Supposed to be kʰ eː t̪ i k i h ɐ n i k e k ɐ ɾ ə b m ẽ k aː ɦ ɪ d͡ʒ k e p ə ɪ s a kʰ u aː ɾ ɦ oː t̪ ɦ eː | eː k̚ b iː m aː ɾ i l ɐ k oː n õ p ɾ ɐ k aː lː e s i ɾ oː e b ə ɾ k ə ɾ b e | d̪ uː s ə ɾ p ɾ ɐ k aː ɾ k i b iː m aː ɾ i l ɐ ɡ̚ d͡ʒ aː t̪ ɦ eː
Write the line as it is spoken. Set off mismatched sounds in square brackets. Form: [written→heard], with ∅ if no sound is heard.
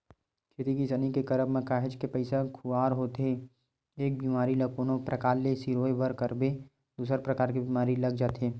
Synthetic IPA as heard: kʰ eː t̪ i k i [h→s] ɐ n i k e k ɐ ɾ ə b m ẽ k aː ɦ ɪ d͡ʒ k e p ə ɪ s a kʰ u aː ɾ ɦ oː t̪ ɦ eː | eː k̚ b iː m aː ɾ i l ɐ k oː n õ p ɾ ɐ k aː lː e s i ɾ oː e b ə ɾ k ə ɾ b e | d̪ uː s ə ɾ p ɾ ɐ k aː ɾ k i b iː m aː ɾ i l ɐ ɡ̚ d͡ʒ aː t̪ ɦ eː